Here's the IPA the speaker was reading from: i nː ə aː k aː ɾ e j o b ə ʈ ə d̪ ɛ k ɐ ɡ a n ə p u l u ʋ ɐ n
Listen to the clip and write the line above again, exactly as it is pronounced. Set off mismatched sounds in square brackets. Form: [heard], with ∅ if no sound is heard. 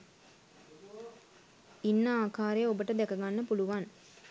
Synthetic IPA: i nː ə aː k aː ɾ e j o b ə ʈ ə d̪ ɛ k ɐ ɡ a [nː] ə p u l u ʋ [a] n